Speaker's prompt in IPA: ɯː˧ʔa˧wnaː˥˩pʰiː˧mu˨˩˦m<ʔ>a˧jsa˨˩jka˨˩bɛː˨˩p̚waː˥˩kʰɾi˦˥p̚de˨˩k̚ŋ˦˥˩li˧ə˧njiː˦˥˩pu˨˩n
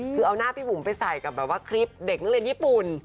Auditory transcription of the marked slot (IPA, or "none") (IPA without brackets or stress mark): p